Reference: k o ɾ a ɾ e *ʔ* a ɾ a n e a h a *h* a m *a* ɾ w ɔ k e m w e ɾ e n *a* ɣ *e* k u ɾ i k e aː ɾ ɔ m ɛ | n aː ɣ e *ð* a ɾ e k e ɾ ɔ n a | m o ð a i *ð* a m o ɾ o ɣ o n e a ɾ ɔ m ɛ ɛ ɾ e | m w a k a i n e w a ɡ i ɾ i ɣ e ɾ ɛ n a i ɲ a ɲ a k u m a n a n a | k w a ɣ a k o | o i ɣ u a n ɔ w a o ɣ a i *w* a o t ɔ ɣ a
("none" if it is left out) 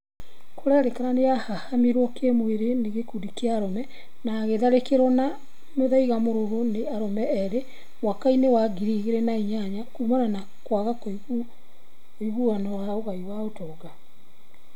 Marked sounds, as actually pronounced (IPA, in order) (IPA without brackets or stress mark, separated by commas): k, h, i, e, e, ð, ɣ, w